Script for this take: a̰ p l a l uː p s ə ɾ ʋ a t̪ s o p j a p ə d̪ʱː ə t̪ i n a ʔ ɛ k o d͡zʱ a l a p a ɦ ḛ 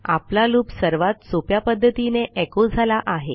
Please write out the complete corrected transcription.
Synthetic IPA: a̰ p l a l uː p s ə ɾ ʋ a t̪ s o p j a p ə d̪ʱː ə t̪ i n e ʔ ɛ k o d͡zʱ a l a ʔ a ɦ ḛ